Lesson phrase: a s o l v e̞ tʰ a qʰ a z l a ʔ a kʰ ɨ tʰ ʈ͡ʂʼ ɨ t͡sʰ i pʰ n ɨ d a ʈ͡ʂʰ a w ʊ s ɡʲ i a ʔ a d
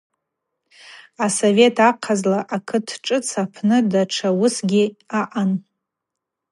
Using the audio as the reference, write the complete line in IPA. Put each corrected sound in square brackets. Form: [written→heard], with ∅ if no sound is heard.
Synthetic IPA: a s o [l→∅] v e̞ tʰ a qʰ a z l a ʔ a kʰ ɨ tʰ ʈ͡ʂʼ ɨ t͡sʰ [i→a] pʰ n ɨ d a ʈ͡ʂʰ a w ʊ s ɡʲ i a ʔ a [d→n]